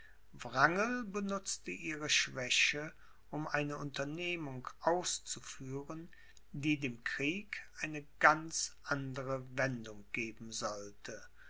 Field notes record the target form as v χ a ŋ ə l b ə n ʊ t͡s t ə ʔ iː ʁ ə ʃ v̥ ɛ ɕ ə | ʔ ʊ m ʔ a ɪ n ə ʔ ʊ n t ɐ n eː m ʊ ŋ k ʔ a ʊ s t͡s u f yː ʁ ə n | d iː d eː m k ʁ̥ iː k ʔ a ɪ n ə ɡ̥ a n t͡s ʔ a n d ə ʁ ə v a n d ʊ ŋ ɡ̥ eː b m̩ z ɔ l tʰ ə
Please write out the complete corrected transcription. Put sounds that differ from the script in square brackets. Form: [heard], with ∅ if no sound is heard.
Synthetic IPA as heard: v [ʁ] a ŋ ə l b ə n ʊ t͡s t ə ʔ iː ʁ ə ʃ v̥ ɛ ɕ ə | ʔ ʊ m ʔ a ɪ n ə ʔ ʊ n t ɐ n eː m ʊ ŋ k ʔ a ʊ s t͡s u f yː ʁ ə n | d iː d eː m k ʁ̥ iː k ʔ a ɪ n ə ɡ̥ a n t͡s ʔ a n d ə ʁ ə v [ɛ] n d ʊ ŋ ɡ̥ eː b m̩ z ɔ l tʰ ə